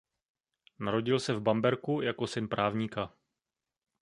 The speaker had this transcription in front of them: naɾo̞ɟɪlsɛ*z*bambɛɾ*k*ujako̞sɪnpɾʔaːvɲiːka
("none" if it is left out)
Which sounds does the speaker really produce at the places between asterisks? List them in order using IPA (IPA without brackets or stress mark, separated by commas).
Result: v, k